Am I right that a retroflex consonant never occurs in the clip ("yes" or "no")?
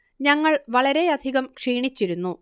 no